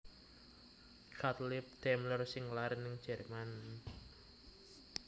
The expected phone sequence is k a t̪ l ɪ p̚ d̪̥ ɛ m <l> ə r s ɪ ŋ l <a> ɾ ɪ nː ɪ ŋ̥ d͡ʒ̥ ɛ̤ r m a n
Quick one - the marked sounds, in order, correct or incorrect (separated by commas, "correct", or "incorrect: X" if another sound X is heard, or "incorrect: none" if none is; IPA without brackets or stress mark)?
correct, correct